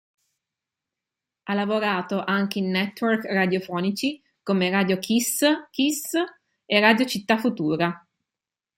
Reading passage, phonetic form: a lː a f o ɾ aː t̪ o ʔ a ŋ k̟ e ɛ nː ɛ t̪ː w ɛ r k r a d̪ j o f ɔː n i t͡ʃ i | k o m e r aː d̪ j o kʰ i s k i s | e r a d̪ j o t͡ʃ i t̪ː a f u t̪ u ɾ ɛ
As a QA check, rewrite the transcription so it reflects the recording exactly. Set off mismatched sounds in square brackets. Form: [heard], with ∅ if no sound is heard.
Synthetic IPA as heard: a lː a [v] o ɾ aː t̪ o ʔ a ŋ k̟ e [i] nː ɛ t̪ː w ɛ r k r a d̪ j o f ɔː n i t͡ʃ i | k o m e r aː d̪ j o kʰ i s k i s | e r a d̪ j o t͡ʃ i t̪ː a f u t̪ [uː] ɾ [a]